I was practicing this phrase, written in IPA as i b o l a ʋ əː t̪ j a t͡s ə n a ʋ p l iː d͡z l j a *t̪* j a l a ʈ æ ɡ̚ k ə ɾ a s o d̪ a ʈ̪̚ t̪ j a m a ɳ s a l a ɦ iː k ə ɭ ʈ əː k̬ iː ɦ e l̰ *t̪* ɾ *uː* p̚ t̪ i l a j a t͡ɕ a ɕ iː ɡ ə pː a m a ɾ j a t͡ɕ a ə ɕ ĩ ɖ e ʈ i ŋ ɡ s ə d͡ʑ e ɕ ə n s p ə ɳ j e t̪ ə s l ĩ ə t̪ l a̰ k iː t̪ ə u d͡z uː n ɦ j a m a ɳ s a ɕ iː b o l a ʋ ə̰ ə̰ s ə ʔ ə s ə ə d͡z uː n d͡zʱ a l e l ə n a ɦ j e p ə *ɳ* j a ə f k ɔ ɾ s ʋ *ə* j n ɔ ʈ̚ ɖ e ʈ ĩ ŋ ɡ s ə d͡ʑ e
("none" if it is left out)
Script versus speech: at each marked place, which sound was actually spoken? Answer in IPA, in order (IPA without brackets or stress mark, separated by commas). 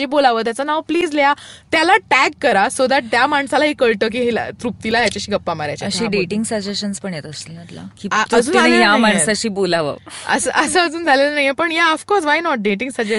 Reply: t̪, t̪, u, ɳ, a